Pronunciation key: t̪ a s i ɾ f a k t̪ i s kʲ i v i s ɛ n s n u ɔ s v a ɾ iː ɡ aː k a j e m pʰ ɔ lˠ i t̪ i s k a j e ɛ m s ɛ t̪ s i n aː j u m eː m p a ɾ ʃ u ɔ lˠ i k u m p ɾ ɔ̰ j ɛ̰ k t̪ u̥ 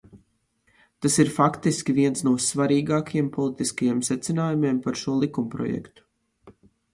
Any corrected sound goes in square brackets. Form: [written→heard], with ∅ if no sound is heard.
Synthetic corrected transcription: t̪ a s i ɾ f a k t̪ i s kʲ i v i [s→∅] ɛ n s n u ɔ s v a ɾ iː ɡ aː k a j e m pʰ ɔ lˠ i t̪ i s k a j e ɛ m s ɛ t̪ s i n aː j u m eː m p a ɾ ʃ u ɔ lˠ i k u m p ɾ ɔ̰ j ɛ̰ k t̪ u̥